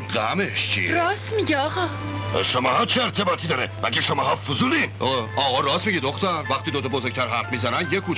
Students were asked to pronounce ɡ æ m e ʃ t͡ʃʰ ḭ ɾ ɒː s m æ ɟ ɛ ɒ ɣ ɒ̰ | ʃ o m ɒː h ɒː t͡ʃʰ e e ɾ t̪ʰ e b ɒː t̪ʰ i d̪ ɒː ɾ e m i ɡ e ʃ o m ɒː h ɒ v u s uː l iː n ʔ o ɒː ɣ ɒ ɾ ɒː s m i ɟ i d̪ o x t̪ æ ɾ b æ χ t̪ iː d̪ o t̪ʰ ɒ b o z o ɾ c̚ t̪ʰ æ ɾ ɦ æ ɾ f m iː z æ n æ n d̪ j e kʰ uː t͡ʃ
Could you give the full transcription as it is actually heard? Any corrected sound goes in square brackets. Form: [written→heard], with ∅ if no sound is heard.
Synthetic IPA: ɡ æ m e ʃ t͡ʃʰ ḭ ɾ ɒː s m [æ→i] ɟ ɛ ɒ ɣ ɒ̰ | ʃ o m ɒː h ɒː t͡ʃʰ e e ɾ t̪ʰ e b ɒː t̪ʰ i d̪ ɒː ɾ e m [i→æ] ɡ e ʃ o m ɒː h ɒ [v→f] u [s→z] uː l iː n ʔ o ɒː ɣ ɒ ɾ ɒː s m i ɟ i d̪ o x t̪ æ ɾ [b→v] æ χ t̪ iː d̪ o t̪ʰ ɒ b o z o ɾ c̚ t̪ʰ æ ɾ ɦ æ ɾ f m iː z æ n æ n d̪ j e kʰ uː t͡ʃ